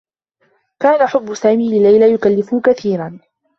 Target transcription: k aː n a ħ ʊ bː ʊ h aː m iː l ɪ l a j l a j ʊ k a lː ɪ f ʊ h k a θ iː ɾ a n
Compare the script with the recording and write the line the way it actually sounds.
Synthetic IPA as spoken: k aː n a ħ ʊ bː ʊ s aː m iː l ɪ l a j l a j ʊ k a lː ɪ f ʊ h k a θ iː ɾ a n